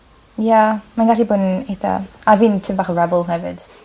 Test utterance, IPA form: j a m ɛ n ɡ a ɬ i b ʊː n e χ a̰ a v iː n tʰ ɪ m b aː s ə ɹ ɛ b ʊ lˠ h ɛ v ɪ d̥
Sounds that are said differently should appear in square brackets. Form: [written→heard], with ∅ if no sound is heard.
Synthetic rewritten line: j a m [ɛ→a] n ɡ a ɬ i b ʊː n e [χ→θ] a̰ a v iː n tʰ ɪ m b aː [s→χ] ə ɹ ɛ b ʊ lˠ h ɛ v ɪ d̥